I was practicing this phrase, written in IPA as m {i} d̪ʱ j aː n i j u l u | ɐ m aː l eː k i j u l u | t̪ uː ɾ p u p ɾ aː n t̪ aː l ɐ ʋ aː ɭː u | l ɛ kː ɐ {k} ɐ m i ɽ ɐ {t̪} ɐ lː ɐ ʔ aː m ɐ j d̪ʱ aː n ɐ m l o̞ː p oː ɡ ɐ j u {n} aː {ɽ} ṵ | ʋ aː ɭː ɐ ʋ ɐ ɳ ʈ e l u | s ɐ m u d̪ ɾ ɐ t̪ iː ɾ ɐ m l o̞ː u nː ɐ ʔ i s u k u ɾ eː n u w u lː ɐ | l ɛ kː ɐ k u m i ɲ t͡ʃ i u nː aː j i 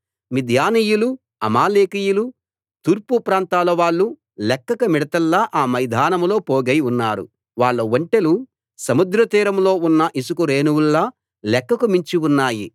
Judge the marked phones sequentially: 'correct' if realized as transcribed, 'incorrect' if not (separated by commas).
correct, correct, correct, incorrect, incorrect